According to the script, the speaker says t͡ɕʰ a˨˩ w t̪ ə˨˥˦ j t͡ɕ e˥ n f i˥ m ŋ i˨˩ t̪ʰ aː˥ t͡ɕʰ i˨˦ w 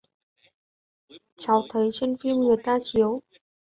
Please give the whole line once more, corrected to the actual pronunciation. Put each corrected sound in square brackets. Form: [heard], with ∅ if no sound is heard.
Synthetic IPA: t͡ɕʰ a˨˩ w [t̪ʰ] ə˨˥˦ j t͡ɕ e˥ n f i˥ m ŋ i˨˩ [t̪] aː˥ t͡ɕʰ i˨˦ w